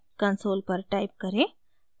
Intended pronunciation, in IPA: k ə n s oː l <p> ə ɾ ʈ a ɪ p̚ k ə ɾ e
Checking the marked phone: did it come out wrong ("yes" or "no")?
no